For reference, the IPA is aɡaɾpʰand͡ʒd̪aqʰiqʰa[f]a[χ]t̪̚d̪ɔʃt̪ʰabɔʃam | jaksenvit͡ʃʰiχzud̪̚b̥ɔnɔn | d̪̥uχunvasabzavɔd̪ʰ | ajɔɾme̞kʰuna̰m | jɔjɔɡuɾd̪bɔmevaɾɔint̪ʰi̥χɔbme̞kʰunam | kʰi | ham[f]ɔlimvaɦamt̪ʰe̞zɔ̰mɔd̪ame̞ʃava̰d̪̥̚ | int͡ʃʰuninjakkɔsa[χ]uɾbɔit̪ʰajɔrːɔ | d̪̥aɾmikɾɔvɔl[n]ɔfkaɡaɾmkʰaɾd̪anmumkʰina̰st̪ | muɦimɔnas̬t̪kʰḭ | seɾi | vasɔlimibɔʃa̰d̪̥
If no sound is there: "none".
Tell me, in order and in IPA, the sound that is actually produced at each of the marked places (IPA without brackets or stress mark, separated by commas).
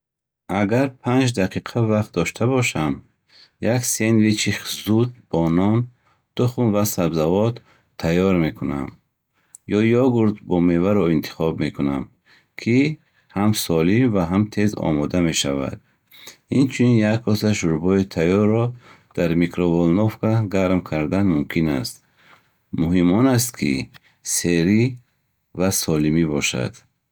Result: v, χ, s, ʃ, n